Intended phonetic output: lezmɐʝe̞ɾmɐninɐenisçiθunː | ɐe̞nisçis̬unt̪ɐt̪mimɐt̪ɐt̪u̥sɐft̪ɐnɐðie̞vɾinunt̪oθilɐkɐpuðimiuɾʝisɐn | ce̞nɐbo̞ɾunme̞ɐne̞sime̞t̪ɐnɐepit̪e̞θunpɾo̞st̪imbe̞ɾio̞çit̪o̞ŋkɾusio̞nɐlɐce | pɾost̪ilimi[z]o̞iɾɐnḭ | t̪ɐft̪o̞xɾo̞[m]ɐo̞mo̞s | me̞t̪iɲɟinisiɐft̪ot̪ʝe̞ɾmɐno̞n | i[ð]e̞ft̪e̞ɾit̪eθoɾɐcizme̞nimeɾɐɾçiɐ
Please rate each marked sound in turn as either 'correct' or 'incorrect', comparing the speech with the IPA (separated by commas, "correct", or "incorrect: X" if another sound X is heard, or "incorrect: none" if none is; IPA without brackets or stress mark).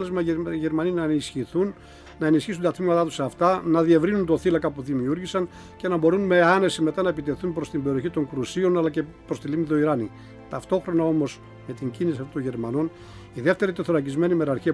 incorrect: ð, incorrect: n, correct